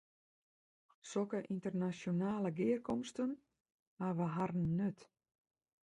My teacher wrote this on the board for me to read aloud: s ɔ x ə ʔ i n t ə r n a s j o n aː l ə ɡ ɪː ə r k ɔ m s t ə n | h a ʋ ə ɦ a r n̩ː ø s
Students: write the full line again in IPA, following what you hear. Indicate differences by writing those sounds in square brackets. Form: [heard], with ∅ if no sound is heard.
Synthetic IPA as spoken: s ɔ [k] ə ʔ i n t ə r n a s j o n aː l ə ɡ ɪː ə r k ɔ m s t ə n | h a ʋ ə ɦ a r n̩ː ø [t]